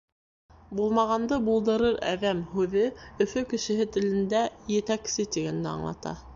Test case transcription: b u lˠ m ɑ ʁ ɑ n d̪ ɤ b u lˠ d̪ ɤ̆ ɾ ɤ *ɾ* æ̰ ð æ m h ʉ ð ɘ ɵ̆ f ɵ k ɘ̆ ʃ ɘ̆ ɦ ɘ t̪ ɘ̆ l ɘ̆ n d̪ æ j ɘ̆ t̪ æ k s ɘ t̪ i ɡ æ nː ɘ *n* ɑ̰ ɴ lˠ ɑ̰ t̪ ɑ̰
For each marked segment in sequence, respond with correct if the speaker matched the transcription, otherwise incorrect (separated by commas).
correct, incorrect